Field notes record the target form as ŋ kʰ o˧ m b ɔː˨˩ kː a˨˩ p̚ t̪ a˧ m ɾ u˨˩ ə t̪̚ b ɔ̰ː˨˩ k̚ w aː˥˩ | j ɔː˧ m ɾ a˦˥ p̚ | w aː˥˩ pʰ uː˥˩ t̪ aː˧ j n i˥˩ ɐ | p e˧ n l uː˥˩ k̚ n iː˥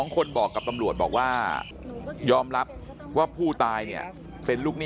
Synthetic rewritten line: ŋ kʰ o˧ n b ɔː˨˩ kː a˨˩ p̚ t̪ a˧ m ɾ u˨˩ ə t̪̚ b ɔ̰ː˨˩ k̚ w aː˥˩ | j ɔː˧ m ɾ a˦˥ p̚ | w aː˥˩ pʰ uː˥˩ t̪ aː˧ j n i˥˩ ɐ | p e˧ n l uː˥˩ k̚ n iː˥

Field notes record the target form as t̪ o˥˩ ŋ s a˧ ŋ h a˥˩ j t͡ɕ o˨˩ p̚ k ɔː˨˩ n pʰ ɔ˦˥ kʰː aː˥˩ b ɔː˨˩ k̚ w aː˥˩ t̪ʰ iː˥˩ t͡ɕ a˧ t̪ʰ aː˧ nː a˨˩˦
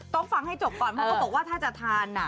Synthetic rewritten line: t̪ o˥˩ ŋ f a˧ ŋ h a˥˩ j t͡ɕ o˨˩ p̚ k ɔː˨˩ n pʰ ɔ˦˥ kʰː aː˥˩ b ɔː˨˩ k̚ w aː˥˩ t̪ʰ aː˥˩ t͡ɕ a˨˩ t̪ʰ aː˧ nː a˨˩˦

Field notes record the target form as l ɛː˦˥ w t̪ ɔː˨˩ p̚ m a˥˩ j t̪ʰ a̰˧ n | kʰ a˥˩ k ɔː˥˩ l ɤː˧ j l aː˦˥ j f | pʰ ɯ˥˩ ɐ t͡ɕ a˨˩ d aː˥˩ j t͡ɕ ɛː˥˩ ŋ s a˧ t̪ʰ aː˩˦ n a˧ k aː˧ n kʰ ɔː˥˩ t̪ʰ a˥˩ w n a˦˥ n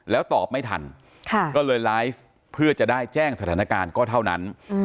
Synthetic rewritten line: l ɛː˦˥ w t̪ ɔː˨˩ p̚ m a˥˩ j t̪ʰ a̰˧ n | kʰ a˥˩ k ɔː˥˩ l ɤː˧ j l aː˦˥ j f | pʰ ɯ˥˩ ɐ t͡ɕ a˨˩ d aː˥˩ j t͡ɕ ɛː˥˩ ŋ s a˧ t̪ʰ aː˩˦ n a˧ k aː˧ n k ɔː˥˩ t̪ʰ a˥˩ w n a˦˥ n

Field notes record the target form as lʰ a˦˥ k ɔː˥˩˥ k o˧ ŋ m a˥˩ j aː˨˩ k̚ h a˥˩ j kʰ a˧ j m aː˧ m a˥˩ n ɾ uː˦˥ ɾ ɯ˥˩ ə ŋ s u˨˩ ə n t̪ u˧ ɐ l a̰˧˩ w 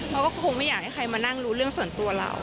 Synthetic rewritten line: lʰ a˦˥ k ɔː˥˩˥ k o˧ ŋ m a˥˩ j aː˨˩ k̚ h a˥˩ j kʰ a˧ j m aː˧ n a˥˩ ŋ ɾ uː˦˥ ɾ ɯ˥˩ ə ŋ s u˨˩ ə n t̪ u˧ ɐ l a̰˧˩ w

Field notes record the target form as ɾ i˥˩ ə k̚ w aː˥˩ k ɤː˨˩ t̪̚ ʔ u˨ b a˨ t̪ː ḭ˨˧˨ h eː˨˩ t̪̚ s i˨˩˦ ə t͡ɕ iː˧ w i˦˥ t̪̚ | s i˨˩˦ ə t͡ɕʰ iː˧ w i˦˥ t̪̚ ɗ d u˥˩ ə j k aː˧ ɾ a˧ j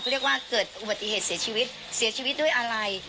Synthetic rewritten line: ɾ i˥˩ ə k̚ w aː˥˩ k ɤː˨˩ t̪̚ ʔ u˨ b a˨ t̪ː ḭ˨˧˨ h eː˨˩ t̪̚ s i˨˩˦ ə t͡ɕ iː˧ w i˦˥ t̪̚ | s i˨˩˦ ə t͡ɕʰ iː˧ w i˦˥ t̪̚ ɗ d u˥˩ ə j ʔ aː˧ ɾ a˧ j

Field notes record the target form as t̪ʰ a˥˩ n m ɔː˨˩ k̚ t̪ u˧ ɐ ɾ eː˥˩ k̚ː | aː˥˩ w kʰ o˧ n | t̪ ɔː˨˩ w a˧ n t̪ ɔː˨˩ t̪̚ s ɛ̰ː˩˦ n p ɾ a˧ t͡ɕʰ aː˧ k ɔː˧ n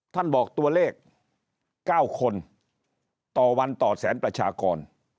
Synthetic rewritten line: t̪ʰ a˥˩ n b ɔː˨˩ k̚ t̪ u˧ ɐ l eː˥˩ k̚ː | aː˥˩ w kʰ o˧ n | t̪ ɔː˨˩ w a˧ n t̪ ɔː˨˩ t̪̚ s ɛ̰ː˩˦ n p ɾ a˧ t͡ɕʰ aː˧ k ɔː˧ n

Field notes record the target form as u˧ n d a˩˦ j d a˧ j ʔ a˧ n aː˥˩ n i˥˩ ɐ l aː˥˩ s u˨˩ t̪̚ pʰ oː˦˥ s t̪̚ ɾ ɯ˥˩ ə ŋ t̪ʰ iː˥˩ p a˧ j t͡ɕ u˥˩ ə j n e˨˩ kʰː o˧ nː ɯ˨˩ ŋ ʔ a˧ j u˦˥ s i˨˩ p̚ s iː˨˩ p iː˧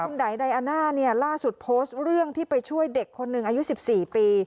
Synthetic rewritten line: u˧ n d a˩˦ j d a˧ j ʔ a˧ n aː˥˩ n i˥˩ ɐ l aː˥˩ s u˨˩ t̪̚ pʰ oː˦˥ s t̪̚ ɾ ɯ˥˩ ə ŋ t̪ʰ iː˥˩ p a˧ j t͡ɕʰ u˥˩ ə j d e˨˩ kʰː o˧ nː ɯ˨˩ ŋ ʔ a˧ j u˦˥ s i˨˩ p̚ s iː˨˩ p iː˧

